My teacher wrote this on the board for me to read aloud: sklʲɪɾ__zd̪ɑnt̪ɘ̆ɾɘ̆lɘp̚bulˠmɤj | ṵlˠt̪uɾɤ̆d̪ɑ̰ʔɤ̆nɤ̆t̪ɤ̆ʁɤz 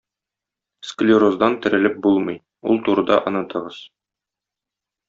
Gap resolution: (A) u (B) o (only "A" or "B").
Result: B